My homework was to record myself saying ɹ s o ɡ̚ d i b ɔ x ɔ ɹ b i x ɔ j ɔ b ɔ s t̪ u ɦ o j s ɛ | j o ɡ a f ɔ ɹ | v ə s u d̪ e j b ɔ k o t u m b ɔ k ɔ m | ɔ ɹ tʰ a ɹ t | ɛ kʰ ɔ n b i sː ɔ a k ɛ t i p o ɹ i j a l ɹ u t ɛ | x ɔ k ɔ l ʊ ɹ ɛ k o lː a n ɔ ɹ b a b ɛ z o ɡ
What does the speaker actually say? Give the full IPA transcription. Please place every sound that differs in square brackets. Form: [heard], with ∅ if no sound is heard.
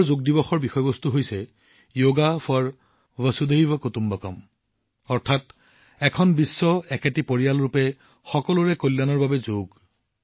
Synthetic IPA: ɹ [z] o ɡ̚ d i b ɔ x ɔ ɹ b i x ɔ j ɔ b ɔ s t̪ u ɦ o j s ɛ | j o ɡ a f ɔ ɹ | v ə s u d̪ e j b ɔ k o t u m b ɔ k ɔ m | ɔ ɹ tʰ a [∅] t | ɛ kʰ ɔ n b i sː ɔ [ɛ] k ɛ t i p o ɹ i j a l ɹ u [p] ɛ | x ɔ k ɔ l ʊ ɹ ɛ k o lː a n ɔ ɹ b a b ɛ z o ɡ